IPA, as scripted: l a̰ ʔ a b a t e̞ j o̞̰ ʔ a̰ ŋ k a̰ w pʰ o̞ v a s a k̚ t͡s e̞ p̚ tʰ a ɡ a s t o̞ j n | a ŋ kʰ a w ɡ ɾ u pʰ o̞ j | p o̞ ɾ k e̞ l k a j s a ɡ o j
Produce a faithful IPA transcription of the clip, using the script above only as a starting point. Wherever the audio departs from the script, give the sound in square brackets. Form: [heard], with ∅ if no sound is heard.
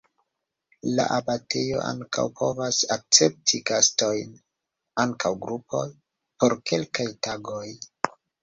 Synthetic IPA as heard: l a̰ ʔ a b a t e̞ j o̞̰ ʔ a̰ ŋ k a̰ w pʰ o̞ v a s a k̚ t͡s e̞ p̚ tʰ [i] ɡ a s t o̞ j n | a ŋ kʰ a w ɡ ɾ u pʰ o̞ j | p o̞ ɾ k e̞ l k a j [t] a ɡ o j